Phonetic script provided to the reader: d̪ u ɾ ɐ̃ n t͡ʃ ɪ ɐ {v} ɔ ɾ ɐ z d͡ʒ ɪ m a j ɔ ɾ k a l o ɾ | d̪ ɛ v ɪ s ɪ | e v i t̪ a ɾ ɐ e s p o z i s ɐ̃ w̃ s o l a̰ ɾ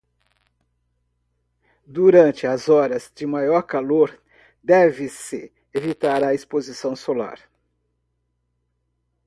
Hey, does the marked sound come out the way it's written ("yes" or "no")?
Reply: no